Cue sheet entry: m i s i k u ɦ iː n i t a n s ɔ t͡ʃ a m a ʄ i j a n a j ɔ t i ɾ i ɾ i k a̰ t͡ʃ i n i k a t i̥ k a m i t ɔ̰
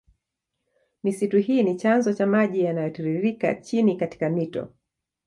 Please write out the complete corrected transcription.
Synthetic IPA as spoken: m i s i t u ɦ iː n i t͡ʃ a n z ɔ t͡ʃ a m a ʄ i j a n a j ɔ t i ɾ i ɾ i k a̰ t͡ʃ i n i k a t i̥ k a m i t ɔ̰